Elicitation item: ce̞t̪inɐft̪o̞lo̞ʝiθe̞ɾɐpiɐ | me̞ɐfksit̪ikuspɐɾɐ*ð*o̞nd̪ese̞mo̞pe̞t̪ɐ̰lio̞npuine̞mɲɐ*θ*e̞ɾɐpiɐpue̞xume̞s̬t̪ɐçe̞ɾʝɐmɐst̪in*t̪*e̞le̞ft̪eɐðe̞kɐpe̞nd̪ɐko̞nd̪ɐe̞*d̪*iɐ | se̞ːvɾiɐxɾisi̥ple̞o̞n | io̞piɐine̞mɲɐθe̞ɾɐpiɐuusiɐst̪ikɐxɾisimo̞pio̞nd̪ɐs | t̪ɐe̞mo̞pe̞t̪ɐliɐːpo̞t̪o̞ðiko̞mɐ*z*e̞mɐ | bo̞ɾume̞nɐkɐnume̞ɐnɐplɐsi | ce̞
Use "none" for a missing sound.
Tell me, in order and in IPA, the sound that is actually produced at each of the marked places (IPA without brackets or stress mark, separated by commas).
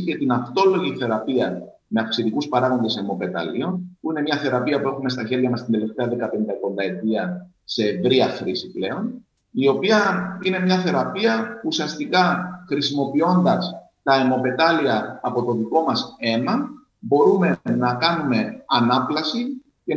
ɣ, θ, d̪, t̪, s